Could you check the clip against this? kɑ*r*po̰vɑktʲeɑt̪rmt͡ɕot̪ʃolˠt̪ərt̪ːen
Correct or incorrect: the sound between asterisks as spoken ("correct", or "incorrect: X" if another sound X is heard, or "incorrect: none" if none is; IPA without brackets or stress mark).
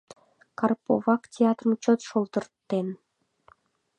correct